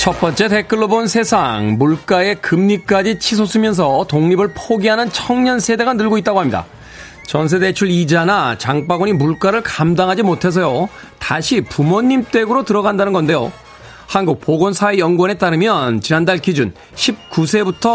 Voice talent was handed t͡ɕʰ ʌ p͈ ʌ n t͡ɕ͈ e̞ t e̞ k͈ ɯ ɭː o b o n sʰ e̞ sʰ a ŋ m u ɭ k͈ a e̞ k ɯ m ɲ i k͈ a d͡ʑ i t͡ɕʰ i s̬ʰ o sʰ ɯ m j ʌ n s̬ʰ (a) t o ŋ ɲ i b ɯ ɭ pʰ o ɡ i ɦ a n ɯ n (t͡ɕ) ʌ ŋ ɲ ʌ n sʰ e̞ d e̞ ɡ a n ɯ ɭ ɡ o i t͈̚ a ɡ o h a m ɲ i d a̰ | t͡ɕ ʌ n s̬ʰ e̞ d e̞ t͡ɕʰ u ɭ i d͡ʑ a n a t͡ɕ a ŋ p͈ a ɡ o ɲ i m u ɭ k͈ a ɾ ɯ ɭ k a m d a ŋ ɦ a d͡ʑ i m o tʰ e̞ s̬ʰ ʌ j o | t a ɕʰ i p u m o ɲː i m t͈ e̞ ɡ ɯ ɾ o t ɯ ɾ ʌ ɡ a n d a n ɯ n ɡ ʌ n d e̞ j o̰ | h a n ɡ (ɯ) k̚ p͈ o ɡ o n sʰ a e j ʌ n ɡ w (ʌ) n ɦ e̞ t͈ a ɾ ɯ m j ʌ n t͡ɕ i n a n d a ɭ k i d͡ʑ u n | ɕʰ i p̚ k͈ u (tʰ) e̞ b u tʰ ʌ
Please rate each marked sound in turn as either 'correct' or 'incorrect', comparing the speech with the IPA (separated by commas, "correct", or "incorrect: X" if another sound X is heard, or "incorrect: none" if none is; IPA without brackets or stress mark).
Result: incorrect: ʌ, incorrect: t͡ɕʰ, incorrect: u, correct, incorrect: sʰ